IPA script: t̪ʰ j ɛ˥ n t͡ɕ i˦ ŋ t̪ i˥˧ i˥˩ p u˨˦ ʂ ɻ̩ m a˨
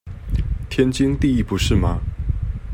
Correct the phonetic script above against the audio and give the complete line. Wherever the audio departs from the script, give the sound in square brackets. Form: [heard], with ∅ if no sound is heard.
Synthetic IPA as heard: t̪ʰ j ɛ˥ n t͡ɕ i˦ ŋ t̪ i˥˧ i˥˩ p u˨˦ ʂ ɻ̩ m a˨